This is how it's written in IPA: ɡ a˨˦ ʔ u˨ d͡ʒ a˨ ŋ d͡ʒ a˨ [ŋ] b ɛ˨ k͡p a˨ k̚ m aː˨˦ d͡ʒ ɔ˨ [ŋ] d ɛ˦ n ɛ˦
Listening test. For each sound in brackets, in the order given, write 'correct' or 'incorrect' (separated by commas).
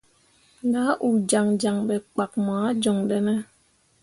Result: correct, correct